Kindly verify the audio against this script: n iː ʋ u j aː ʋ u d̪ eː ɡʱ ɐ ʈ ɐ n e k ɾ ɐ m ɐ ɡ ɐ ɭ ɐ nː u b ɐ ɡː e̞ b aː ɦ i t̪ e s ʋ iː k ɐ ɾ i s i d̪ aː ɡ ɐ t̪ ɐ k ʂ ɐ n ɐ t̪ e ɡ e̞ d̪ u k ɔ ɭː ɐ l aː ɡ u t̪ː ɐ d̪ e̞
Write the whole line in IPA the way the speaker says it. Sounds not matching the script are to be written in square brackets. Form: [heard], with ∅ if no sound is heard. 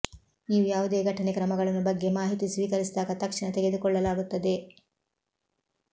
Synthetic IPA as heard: n iː ʋ u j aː ʋ u d̪ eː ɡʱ ɐ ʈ ɐ n e k ɾ ɐ m ɐ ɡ ɐ ɭ ɐ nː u b ɐ ɡː e̞ [m] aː ɦ i t̪ [i] s ʋ iː k ɐ ɾ i s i d̪ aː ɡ ɐ t̪ ɐ k ʂ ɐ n ɐ t̪ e ɡ e̞ d̪ u k ɔ ɭː ɐ l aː ɡ u t̪ː ɐ d̪ e̞